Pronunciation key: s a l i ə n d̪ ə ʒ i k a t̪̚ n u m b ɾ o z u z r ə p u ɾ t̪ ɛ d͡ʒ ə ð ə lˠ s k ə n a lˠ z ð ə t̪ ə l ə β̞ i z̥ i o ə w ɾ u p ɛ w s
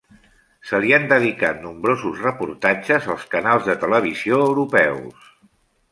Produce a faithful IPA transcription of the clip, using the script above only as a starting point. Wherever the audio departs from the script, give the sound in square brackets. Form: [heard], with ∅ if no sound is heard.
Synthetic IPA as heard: s [ə] l i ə n d̪ ə [ð] i k a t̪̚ n u m b ɾ o z u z r ə p u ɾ t̪ [a] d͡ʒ ə [z] ə lˠ s k ə n a lˠ z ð ə t̪ ə l ə β̞ i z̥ i o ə w ɾ u p ɛ w s